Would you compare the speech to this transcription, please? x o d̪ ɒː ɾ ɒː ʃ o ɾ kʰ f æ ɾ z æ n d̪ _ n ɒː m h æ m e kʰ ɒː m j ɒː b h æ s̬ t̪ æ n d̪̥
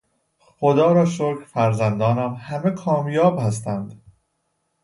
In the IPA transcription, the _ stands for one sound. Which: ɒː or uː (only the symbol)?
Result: ɒː